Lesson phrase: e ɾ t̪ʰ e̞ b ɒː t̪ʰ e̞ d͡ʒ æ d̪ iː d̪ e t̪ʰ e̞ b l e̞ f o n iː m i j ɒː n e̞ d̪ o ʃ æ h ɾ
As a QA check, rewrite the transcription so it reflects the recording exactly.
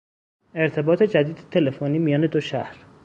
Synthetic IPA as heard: e ɾ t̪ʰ e̞ b ɒː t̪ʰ e̞ d͡ʒ æ d̪ iː d̪ e t̪ʰ e̞ l e̞ f o n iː m i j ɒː n e̞ d̪ o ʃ æ h ɾ